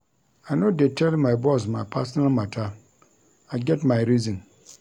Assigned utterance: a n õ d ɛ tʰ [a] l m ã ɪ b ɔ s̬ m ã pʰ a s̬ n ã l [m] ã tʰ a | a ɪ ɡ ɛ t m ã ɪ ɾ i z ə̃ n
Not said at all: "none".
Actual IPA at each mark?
ɛ, m

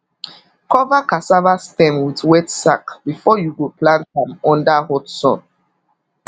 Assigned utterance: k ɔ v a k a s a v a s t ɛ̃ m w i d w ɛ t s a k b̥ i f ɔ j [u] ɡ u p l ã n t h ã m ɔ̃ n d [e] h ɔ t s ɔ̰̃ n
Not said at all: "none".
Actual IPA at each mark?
u, a

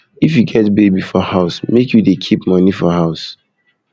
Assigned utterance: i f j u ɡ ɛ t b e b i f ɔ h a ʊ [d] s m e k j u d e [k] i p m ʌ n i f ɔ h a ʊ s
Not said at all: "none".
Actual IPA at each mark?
none, kʰ

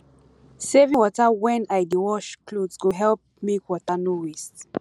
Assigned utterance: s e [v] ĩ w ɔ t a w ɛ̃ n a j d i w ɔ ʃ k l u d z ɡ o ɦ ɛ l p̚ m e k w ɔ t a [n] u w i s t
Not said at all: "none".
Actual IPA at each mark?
v, n

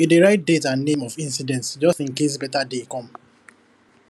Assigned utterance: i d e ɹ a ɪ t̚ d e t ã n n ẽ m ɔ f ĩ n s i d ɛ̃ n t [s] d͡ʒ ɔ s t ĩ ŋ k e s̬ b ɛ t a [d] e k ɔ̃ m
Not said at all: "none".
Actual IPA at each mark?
s, d

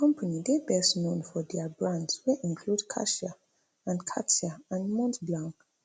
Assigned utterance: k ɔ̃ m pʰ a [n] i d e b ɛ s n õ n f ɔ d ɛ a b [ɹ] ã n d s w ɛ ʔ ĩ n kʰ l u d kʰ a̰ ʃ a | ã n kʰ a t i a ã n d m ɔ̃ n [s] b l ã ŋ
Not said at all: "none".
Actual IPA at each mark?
n, ɹ, t

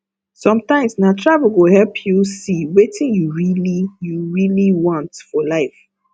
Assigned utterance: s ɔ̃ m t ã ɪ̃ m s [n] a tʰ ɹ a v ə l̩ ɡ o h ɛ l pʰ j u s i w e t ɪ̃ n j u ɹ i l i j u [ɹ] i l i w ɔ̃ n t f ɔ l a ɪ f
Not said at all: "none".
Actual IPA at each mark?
n, ɹ

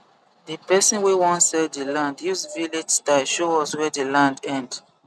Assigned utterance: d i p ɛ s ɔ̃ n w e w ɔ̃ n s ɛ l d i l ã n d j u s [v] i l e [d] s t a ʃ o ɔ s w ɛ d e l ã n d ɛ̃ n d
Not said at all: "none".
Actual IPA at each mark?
v, d͡ʒ

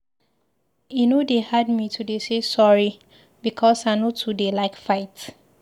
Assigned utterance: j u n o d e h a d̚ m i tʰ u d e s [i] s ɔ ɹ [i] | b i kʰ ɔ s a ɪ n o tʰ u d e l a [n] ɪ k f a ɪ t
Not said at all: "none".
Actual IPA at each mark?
e, i, none

